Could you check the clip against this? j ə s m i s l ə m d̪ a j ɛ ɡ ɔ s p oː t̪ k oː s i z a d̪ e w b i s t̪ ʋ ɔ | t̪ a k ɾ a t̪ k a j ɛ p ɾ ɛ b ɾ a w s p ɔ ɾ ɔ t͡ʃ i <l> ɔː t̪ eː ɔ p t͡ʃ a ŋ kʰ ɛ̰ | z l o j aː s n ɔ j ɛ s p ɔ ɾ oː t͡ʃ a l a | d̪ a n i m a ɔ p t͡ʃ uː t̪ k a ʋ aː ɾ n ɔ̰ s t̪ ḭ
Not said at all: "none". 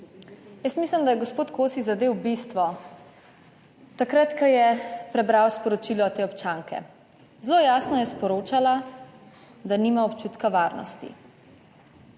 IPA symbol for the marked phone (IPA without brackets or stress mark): l